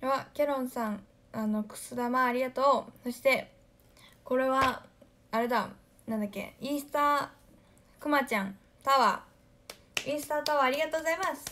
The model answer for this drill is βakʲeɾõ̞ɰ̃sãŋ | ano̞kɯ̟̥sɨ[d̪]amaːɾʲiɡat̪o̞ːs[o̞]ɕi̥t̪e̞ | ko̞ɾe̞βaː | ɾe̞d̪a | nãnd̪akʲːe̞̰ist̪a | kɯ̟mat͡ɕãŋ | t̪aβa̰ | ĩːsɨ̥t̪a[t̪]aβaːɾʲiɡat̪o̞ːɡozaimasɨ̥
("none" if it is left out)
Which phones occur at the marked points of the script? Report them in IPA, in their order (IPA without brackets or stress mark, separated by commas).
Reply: d̪, o̞, t̪